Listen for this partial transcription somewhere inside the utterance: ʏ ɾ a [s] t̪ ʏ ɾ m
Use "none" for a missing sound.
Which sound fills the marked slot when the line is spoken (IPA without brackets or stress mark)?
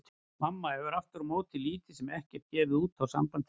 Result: f